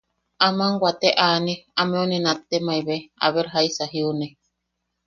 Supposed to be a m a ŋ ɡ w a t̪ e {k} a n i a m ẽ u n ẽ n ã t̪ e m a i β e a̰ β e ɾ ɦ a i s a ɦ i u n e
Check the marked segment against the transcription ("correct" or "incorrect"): incorrect